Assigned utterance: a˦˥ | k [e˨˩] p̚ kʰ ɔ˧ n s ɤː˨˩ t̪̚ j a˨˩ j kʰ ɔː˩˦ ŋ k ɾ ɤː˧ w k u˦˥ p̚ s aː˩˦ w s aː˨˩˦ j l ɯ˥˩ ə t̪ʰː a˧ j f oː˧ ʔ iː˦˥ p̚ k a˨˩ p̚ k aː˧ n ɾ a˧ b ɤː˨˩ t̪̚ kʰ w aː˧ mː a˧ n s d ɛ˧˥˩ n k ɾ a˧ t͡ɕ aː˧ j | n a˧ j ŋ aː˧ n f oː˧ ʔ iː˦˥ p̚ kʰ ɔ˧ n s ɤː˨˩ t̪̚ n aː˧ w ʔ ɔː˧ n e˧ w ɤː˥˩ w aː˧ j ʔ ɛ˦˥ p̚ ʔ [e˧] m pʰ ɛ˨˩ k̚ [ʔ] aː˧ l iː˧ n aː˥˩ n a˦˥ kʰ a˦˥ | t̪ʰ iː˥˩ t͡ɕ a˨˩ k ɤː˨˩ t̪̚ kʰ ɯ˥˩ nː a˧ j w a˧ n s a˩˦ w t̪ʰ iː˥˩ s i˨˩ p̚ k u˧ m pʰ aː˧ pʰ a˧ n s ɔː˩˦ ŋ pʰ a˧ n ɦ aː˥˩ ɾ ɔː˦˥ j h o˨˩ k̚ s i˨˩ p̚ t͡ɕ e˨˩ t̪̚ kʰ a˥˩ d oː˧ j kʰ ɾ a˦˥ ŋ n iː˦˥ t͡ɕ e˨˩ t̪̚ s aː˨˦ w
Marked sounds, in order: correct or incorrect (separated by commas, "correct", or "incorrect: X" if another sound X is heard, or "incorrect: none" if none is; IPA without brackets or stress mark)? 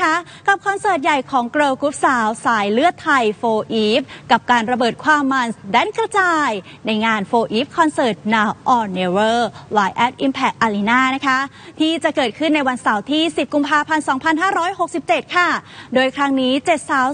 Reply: incorrect: a˨˩, incorrect: i˧, correct